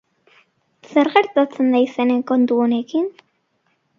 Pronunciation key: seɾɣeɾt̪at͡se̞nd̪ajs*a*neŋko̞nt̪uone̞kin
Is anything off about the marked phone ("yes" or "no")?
yes